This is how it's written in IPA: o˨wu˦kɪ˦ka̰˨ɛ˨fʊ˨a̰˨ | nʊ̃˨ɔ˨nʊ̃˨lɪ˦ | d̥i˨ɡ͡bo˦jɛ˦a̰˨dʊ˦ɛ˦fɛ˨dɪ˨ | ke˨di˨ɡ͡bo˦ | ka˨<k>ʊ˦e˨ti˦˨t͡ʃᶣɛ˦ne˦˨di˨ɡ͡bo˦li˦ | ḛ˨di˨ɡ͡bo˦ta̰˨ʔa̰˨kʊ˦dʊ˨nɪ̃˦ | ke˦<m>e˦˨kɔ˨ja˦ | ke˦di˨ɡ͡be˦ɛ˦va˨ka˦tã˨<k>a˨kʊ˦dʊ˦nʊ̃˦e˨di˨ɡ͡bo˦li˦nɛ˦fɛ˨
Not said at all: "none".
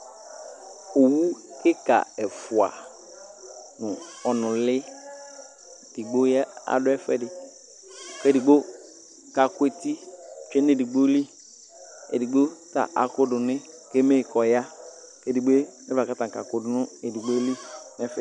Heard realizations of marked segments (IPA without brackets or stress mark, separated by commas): k, m, k